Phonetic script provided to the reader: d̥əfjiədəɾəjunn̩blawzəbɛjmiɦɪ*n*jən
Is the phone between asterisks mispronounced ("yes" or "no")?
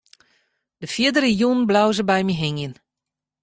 yes